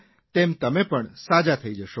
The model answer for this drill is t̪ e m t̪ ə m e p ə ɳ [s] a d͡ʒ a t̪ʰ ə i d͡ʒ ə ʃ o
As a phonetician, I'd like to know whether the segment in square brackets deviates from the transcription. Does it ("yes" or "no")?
no